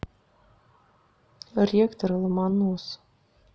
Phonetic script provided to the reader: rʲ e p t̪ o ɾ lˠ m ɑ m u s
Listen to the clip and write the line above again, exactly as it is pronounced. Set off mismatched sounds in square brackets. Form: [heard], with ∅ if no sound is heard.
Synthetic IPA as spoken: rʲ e [k] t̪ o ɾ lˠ m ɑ [n] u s